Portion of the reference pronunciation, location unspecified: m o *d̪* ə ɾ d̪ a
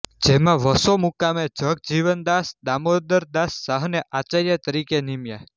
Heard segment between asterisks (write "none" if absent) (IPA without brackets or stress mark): d̪